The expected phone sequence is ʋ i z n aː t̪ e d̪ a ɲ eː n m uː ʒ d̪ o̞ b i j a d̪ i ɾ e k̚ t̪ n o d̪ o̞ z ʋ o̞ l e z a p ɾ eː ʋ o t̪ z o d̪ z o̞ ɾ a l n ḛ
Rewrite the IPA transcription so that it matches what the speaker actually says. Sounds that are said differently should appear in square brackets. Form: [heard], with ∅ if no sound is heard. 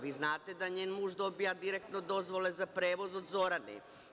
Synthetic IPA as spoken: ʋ i z n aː t̪ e d̪ a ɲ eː n m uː ʒ d̪ o̞ b i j a d̪ i ɾ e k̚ t̪ n o d̪ o̞ z ʋ o̞ l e z a p ɾ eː ʋ o [∅] z o d̪ z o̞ ɾ a [∅] n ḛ